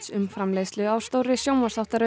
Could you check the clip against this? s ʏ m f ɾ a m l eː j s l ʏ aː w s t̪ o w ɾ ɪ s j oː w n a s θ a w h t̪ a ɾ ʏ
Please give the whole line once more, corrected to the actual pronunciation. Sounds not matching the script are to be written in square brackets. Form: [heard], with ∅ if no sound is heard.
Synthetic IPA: s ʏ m f ɾ a m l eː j s l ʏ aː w s t̪ o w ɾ ɪ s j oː w [m] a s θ a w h t̪ a ɾ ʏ

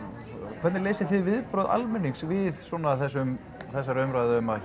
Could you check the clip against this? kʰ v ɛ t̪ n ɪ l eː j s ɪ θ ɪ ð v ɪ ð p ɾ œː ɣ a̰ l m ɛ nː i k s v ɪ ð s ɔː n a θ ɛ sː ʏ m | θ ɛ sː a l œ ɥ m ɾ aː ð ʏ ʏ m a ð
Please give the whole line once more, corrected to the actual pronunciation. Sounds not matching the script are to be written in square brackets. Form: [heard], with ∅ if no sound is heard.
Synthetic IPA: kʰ v ɛ t̪ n ɪ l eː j s ɪ θ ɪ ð v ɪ ð p ɾ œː [ð] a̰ l m ɛ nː i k s v ɪ ð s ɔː n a θ ɛ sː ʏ m | θ ɛ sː a [ɾ] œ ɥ m ɾ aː ð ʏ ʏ m a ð

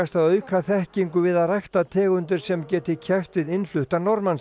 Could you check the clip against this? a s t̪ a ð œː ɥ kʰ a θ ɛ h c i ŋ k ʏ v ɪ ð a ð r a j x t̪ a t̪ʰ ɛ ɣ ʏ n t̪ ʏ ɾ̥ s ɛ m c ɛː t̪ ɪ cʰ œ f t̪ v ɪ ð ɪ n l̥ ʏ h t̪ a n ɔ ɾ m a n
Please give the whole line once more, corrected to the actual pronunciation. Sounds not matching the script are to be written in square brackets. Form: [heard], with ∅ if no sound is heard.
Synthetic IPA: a s t̪ a ð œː ɥ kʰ a θ ɛ h c i ŋ k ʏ v ɪ ð a ð r a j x t̪ a t̪ʰ [ɛː] ɣ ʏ n t̪ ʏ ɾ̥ s ɛ m c ɛː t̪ ɪ cʰ [ɛ] f t̪ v ɪ ð ɪ n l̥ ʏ h t̪ a n ɔ ɾ m a n

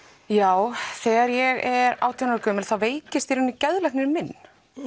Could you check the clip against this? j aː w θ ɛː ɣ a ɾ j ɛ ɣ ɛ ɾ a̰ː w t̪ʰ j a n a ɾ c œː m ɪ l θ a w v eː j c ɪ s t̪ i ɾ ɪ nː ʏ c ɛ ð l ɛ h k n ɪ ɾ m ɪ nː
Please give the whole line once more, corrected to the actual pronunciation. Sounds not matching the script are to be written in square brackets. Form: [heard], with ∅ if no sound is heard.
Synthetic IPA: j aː w θ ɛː ɣ a ɾ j ɛ ɣ ɛ ɾ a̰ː w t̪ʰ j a n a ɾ [k] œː m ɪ l θ a w v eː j c ɪ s t̪ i ɾ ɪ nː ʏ c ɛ ð l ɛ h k n ɪ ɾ m ɪ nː

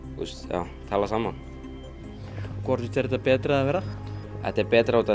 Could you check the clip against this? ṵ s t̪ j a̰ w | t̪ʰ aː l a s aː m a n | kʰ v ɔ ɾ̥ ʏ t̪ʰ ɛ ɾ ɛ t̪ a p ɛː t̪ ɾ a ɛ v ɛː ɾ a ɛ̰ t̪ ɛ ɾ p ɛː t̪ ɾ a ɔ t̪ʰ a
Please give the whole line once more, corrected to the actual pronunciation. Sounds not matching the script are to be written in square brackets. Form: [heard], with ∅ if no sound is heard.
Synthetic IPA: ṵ s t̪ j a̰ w | t̪ʰ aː l a s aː m a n | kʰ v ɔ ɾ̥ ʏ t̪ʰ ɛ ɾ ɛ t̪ a p ɛː t̪ ɾ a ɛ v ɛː ɾ a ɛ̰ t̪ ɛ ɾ p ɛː t̪ ɾ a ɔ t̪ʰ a

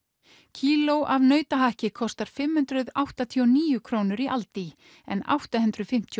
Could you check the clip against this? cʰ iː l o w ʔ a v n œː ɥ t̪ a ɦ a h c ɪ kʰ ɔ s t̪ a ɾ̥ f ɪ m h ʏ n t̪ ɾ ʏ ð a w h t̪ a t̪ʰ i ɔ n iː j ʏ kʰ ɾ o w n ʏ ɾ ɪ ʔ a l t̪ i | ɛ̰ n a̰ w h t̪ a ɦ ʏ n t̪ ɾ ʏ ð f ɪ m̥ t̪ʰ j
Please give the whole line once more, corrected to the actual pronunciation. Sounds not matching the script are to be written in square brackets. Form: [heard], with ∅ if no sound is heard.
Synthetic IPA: cʰ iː l o w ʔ a v n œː ɥ t̪ a ɦ a h c ɪ kʰ ɔ s t̪ a ɾ̥ f ɪ m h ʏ n t̪ ɾ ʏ ð a w h t̪ a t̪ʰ i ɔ n iː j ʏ kʰ ɾ o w n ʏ ɾ [i] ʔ a l t̪ i | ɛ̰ n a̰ w h t̪ a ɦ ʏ n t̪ ɾ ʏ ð f ɪ m̥ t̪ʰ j

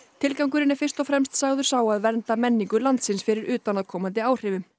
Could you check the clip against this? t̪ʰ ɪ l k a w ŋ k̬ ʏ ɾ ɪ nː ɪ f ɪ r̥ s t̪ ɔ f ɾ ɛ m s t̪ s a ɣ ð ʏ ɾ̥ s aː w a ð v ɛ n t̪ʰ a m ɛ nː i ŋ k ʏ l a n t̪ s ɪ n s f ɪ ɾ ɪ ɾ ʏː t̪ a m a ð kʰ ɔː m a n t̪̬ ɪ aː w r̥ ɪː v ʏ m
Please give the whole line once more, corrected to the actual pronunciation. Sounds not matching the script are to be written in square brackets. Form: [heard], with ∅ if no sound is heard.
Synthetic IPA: t̪ʰ ɪ l k a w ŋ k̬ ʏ ɾ ɪ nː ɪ f ɪ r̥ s t̪ ɔ f ɾ ɛ m s t̪ s a ɣ ð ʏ ɾ̥ s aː w a ð v ɛ n [t̪] a m ɛ nː i ŋ k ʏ l a n t̪ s ɪ n s f ɪ ɾ ɪ ɾ ʏː t̪ a [n] a ð kʰ ɔː m a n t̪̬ ɪ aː w r̥ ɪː v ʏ m

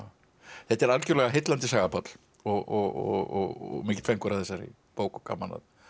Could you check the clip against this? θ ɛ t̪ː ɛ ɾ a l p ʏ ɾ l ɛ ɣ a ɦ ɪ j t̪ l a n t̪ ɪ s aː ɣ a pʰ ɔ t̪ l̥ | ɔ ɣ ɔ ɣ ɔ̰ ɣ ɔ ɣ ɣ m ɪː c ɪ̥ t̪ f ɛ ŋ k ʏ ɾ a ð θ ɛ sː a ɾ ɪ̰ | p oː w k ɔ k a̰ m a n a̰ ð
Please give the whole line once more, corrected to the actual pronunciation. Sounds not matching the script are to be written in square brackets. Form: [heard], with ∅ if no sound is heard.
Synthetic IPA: θ ɛ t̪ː ɛ ɾ a l [c] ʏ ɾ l ɛ ɣ a ɦ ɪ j t̪ l a n t̪ ɪ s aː ɣ a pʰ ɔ t̪ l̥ | ɔ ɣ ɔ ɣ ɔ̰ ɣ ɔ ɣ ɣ m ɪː c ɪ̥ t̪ f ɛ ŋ k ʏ ɾ a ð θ ɛ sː a ɾ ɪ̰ | p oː w k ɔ k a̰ m a n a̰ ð

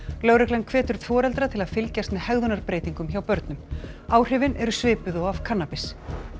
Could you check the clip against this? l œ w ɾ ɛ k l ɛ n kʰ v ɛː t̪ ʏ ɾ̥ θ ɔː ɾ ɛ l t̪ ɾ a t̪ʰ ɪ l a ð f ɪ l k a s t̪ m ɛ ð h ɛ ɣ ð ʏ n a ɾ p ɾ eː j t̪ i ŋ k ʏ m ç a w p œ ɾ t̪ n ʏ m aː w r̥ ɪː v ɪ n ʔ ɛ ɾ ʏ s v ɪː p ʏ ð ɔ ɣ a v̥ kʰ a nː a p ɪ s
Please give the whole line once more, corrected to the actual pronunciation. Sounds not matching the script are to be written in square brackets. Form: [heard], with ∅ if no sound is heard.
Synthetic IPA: l œ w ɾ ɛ k l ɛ n kʰ v ɛː t̪ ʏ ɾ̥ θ ɔː ɾ ɛ l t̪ ɾ a t̪ʰ ɪ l a ð f ɪ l [c] a s t̪ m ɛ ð h ɛ ɣ ð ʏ n a ɾ p ɾ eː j t̪ i ŋ k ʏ m ç a w p œ ɾ t̪ n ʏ m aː w r̥ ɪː v ɪ n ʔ ɛ ɾ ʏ s v ɪː p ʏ ð ɔ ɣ a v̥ kʰ a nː a p ɪ s

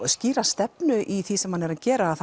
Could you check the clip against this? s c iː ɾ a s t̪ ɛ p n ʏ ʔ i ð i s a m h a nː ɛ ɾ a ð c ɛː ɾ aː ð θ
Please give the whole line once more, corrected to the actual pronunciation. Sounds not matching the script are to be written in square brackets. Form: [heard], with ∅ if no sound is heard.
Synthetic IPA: s c iː ɾ a s t̪ ɛ p n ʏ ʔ i [θ] i s [ɛ] m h a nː ɛ ɾ a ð c ɛː ɾ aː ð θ

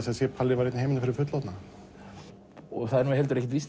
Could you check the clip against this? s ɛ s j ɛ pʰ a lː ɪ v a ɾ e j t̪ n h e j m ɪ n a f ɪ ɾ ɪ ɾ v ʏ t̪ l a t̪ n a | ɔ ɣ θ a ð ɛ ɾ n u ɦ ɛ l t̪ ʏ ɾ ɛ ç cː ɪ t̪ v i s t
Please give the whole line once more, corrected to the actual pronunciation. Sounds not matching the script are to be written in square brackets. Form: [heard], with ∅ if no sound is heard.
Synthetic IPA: s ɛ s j ɛ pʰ a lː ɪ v a ɾ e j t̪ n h e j m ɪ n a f ɪ ɾ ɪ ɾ [f] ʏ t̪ l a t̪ n a | ɔ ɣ θ a ð ɛ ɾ n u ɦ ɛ l t̪ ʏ ɾ ɛ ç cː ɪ t̪ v i s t

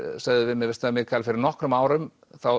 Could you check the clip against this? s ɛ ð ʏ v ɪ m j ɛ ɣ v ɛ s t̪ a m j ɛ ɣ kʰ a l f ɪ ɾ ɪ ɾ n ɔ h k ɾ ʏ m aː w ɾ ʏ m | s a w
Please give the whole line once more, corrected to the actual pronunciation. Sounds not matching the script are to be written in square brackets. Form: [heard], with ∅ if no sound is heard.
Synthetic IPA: s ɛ ð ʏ v ɪ m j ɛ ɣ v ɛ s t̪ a m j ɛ ɣ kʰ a l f ɪ ɾ ɪ ɾ n ɔ h k ɾ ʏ m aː w ɾ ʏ m | [θ] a w

